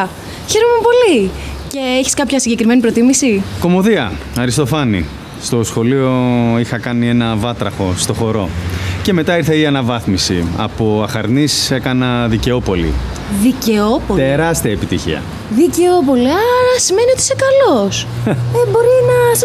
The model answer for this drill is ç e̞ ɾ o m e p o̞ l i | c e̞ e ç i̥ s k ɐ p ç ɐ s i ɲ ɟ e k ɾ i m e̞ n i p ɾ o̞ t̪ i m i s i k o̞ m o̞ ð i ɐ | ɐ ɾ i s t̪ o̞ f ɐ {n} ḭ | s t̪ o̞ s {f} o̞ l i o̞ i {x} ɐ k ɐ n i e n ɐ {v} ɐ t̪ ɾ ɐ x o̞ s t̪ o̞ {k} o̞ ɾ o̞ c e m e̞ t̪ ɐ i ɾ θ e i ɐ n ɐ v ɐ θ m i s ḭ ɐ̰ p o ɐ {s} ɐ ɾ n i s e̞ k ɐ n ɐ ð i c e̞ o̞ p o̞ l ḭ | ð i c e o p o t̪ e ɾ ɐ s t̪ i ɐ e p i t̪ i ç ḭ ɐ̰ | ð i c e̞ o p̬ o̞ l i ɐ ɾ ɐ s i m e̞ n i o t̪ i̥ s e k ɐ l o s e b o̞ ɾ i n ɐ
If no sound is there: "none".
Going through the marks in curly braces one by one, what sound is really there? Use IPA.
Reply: n, x, x, v, x, x

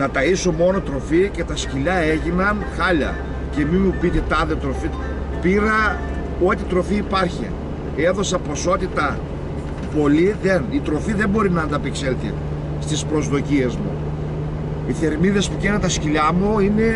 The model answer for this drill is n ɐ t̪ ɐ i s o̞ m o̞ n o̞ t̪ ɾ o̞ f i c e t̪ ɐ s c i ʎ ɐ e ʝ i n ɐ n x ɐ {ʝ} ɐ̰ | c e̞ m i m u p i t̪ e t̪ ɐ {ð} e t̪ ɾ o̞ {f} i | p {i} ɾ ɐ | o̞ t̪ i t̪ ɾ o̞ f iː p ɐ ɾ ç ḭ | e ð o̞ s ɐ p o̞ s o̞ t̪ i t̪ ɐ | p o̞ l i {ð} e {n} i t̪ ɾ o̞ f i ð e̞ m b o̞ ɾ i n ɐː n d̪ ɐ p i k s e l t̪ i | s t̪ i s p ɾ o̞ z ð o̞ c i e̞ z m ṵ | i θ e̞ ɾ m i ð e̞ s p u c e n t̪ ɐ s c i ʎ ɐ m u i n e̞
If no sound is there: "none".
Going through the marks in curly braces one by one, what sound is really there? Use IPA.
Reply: ʎ, ð, f, i, ð, n

